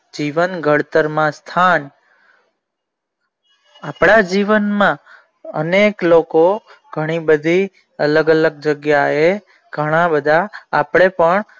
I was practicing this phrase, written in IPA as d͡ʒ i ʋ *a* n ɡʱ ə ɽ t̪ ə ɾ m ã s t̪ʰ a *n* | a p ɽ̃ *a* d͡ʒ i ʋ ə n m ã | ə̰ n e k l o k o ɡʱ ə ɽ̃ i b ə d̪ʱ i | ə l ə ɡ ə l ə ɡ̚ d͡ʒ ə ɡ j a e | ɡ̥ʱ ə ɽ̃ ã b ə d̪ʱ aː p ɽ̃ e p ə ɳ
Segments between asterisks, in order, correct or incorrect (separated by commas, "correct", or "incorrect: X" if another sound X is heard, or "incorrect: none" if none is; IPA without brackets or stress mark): incorrect: ə, correct, correct